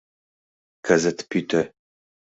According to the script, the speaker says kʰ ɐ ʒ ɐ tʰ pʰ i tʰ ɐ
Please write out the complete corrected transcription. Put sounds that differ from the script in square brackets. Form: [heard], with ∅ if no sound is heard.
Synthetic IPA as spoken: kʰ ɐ [z] ɐ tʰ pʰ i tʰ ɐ